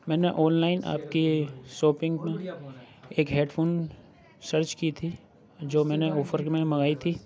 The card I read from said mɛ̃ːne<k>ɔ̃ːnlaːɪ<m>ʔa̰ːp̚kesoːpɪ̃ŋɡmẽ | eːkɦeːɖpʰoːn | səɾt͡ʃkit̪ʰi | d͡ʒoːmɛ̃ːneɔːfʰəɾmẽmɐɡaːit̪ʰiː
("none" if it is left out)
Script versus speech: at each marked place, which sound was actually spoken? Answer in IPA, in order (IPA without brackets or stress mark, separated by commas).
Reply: ʔ, n